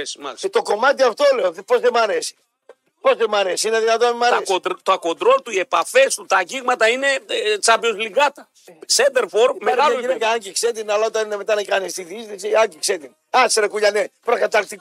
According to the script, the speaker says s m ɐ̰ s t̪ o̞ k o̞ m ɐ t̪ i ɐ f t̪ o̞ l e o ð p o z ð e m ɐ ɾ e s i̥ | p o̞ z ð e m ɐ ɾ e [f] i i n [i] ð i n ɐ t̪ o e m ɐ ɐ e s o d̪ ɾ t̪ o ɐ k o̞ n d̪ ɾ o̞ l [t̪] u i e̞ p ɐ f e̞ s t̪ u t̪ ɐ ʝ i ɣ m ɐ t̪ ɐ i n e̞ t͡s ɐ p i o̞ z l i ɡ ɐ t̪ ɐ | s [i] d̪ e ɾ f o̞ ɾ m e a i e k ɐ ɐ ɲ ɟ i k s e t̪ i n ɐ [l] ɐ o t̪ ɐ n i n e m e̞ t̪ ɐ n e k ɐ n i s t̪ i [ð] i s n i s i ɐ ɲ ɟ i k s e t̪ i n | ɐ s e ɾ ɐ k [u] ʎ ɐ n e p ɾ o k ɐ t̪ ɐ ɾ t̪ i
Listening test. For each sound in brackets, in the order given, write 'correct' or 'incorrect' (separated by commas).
incorrect, incorrect, correct, incorrect, correct, correct, correct